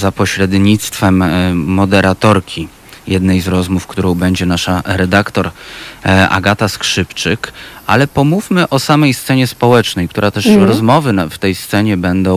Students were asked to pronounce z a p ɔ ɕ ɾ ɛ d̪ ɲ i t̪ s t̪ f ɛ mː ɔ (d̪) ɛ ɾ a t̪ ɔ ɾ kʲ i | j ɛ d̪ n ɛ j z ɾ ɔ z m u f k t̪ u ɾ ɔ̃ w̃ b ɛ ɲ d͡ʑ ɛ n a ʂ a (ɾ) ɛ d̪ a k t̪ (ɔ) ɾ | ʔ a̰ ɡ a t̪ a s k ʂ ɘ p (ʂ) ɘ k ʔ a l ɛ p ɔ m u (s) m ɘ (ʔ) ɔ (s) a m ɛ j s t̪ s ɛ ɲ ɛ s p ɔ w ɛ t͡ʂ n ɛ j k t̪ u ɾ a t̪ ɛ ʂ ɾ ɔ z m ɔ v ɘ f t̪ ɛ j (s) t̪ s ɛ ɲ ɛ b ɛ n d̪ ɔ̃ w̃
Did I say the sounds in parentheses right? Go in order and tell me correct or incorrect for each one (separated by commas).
correct, correct, correct, incorrect, incorrect, correct, correct, correct